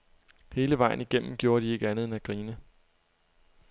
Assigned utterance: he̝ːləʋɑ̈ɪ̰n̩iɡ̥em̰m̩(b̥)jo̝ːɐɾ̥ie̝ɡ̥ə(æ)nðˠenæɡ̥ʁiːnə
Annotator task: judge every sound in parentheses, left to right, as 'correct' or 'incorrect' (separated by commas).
incorrect, correct